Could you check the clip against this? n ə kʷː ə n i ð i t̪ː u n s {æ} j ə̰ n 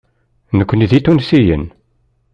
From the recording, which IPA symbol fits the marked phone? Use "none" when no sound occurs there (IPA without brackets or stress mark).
i